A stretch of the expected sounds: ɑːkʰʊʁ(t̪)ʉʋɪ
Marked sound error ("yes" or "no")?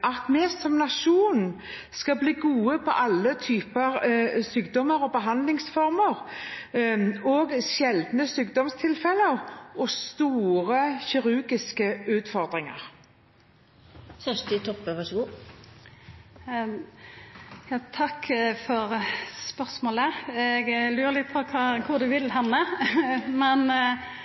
yes